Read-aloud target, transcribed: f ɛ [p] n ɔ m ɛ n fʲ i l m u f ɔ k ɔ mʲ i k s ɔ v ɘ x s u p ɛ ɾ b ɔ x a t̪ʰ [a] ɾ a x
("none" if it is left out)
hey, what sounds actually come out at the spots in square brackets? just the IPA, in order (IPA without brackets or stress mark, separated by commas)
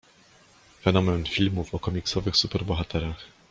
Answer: none, ɛ